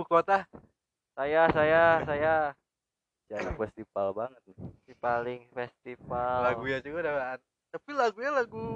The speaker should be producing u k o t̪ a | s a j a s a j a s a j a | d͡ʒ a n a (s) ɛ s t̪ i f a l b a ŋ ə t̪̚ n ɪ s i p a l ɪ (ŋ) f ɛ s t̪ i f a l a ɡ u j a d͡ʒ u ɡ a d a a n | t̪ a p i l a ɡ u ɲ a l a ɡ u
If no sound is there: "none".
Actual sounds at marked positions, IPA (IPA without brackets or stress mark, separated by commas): f, ŋ